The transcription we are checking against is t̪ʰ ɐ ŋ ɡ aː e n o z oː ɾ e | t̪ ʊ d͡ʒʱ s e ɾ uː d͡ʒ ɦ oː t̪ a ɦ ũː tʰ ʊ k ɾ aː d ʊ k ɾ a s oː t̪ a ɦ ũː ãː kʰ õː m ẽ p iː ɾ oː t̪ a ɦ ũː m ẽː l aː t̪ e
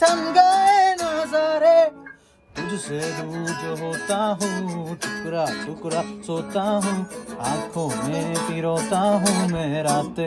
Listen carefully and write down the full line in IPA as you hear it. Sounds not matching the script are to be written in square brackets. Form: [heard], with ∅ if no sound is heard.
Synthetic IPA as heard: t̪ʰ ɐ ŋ ɡ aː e n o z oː ɾ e | t̪ ʊ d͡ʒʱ s e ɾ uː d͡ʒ ɦ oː t̪ a ɦ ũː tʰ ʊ k ɾ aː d ʊ k ɾ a s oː t̪ a ɦ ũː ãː kʰ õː m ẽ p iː ɾ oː t̪ a ɦ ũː m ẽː [ɾ] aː t̪ e